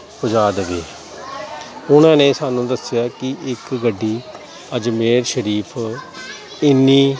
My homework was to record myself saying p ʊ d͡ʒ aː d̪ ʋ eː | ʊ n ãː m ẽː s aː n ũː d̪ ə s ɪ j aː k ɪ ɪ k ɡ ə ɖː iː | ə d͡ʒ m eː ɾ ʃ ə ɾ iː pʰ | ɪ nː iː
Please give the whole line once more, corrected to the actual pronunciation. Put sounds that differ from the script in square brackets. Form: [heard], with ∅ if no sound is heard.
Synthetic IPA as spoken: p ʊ d͡ʒ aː d̪ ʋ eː | ʊ n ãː [n] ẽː s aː n ũː d̪ ə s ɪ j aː k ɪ ɪ k ɡ ə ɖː iː | ə d͡ʒ m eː ɾ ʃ ə ɾ iː pʰ | ɪ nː iː